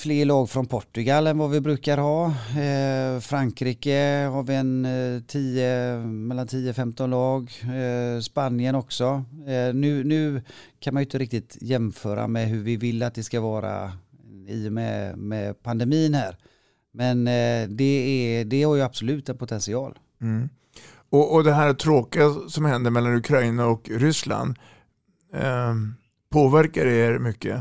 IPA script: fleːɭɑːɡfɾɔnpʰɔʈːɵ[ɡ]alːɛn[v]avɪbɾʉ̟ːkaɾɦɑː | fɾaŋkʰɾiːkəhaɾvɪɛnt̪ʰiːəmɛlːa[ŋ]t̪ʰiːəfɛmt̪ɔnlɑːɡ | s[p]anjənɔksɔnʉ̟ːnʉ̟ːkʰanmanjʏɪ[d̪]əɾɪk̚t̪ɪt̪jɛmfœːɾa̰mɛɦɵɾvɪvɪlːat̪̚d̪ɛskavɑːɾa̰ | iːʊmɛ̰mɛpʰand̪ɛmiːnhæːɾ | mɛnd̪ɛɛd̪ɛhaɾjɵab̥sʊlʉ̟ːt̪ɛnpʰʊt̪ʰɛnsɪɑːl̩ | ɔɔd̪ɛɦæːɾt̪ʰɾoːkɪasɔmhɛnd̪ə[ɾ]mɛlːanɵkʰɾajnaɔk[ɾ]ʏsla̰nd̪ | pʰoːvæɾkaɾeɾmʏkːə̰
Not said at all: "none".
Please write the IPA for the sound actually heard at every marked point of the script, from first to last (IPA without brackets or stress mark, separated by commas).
ɡ, v, n, p, t̪, ɾ, ɾ